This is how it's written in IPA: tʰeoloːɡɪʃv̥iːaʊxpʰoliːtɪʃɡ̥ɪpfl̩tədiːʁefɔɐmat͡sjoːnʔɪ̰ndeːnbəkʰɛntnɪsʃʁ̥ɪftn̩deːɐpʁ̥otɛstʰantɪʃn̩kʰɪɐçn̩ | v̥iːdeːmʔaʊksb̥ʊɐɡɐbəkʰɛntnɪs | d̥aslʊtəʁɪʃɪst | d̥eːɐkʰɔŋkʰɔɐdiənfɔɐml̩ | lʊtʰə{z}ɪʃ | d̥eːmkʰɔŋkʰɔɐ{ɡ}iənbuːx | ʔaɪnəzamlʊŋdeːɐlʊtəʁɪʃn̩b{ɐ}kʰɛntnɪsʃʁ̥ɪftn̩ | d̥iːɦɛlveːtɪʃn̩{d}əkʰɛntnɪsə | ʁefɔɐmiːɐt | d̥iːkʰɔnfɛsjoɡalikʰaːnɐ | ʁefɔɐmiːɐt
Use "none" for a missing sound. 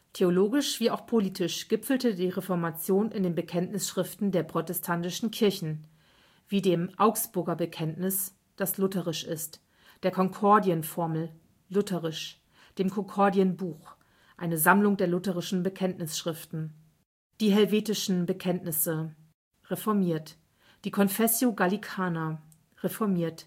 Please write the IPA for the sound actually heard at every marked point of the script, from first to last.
ʁ, d, ə, b

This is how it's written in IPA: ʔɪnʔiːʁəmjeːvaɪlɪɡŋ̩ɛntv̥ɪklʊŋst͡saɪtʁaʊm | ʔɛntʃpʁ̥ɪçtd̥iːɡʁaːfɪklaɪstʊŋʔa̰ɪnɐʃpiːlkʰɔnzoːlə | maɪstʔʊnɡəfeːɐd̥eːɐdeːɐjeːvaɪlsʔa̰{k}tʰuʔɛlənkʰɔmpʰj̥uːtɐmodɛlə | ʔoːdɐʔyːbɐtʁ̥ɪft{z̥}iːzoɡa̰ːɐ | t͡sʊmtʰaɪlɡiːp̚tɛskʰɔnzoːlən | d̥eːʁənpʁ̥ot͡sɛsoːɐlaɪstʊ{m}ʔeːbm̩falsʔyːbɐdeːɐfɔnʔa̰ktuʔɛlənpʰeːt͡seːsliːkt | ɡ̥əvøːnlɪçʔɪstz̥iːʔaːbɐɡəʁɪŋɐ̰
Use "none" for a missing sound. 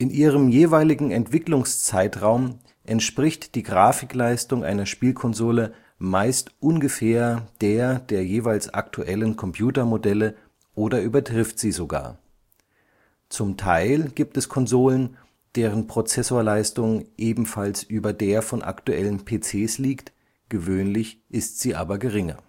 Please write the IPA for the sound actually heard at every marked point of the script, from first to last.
k, z̥, ŋ

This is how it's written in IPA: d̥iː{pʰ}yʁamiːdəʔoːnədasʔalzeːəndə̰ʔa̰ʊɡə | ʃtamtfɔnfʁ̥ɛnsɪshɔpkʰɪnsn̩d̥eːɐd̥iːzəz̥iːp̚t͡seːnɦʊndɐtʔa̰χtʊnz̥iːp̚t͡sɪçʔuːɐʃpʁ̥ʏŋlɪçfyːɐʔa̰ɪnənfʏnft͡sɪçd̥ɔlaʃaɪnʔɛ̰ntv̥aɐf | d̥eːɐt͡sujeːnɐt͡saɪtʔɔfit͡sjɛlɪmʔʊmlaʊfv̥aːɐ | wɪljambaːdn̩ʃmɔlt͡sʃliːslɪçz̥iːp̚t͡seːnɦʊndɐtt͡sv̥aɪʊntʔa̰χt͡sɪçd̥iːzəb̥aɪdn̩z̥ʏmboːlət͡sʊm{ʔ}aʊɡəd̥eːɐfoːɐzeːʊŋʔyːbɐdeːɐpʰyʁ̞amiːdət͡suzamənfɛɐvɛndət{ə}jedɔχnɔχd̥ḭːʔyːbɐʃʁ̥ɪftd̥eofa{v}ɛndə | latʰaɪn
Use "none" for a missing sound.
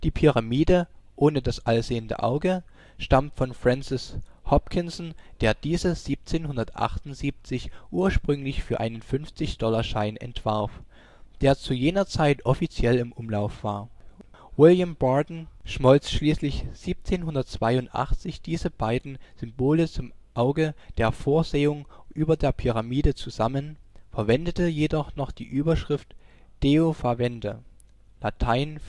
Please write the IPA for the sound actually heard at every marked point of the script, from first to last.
pʰ, ʔ, ə, v

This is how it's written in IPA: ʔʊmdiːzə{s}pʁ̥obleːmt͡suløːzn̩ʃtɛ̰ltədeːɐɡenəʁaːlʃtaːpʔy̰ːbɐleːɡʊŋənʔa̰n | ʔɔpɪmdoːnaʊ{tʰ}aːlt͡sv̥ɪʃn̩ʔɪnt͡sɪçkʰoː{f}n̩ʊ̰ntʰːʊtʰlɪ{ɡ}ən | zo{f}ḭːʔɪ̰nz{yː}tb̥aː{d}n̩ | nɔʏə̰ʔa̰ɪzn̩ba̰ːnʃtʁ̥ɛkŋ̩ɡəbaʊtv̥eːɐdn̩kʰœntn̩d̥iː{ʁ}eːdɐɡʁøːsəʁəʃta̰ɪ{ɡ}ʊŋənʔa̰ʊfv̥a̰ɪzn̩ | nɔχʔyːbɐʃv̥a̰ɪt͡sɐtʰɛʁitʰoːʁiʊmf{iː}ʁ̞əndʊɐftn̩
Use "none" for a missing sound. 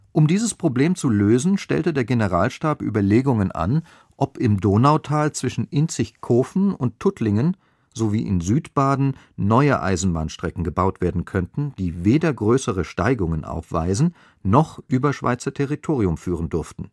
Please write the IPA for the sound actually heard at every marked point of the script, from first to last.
s, tʰ, f, ŋ, v, yː, d, v, ɡ, yː

